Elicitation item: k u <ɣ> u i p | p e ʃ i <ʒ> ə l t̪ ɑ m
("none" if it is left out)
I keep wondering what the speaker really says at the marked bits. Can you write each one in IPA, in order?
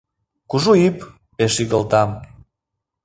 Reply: ʒ, ɣ

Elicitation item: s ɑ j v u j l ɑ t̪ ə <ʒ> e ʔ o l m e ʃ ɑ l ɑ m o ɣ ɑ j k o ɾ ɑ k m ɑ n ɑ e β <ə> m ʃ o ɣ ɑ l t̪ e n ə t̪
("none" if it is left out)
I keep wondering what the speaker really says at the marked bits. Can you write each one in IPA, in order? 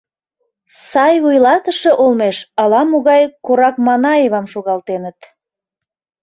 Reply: ʃ, ɑ

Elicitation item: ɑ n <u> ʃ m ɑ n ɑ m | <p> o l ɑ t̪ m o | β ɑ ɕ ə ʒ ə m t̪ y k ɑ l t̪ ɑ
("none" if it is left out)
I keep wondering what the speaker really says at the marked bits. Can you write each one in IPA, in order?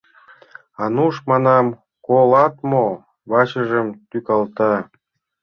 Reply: u, k

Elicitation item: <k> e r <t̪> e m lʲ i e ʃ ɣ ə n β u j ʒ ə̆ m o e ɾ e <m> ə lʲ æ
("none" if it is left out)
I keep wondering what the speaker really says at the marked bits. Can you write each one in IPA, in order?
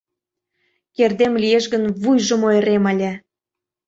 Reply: k, d̪, m

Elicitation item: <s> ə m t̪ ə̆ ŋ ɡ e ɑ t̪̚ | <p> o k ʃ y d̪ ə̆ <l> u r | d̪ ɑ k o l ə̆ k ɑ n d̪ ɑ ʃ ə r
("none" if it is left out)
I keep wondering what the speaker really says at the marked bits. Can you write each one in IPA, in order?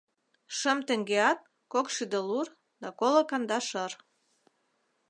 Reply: ʃ, k, l

